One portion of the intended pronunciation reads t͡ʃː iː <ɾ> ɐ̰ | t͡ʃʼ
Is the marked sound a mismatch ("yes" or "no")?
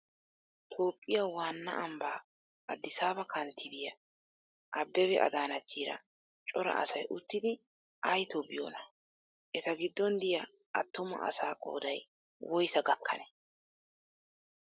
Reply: no